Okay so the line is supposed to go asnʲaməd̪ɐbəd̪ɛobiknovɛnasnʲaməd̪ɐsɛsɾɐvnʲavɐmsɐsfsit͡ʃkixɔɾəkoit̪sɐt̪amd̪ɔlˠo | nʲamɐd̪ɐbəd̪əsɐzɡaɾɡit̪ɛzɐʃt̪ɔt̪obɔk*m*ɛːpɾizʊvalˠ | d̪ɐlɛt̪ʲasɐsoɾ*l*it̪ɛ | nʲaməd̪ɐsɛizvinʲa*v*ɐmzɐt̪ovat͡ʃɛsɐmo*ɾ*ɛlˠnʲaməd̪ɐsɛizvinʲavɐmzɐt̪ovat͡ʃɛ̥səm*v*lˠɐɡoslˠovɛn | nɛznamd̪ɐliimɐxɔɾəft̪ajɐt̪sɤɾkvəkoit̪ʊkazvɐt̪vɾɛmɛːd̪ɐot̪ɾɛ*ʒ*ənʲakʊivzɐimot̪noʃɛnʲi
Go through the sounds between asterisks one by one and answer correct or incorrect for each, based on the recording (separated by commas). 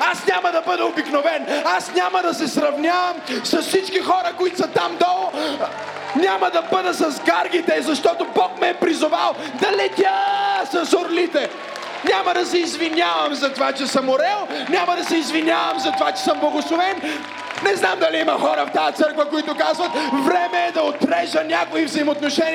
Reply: correct, correct, correct, correct, incorrect, correct